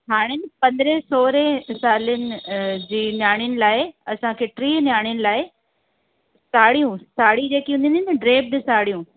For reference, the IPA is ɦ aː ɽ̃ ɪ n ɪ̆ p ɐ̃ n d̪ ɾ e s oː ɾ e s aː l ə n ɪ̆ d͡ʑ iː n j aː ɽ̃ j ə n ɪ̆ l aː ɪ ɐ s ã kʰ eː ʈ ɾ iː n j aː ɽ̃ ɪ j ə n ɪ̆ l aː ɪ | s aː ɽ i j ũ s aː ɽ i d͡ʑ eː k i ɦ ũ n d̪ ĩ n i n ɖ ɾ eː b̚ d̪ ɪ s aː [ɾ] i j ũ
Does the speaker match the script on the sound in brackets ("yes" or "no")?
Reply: no